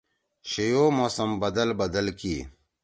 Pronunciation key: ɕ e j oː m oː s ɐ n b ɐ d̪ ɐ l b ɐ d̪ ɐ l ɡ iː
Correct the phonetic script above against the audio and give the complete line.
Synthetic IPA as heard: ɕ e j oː m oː s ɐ m b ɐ d̪ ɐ l b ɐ d̪ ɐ l k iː